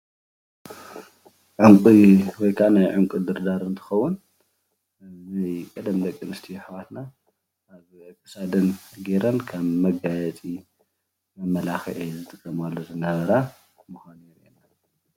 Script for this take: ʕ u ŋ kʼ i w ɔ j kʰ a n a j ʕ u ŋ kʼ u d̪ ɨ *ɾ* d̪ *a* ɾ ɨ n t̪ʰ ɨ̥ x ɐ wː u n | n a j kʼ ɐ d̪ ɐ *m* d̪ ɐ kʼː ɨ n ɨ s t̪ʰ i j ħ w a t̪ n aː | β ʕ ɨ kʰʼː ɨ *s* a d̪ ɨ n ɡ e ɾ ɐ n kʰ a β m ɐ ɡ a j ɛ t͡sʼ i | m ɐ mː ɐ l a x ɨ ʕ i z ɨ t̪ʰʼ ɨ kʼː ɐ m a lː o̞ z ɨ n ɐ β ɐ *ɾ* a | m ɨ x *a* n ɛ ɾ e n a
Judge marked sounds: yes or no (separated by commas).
yes, yes, yes, yes, yes, yes